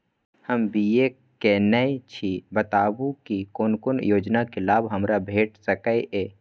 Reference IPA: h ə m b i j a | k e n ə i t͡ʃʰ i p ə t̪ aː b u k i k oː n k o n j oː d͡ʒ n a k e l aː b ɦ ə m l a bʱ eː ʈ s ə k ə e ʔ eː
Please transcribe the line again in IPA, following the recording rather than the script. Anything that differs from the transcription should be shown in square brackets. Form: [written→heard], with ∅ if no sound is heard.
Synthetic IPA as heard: h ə m b i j [a→e] | k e n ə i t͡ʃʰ i [p→b] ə t̪ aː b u k i k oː n k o n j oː d͡ʒ n a k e l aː b ɦ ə m [l→ɾ] a bʱ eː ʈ s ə k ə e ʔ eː